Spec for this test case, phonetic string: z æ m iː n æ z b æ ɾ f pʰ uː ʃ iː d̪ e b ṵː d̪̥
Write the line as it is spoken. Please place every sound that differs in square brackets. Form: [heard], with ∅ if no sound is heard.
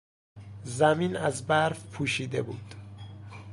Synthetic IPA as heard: z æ m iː n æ z b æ ɾ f pʰ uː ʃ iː d̪ e b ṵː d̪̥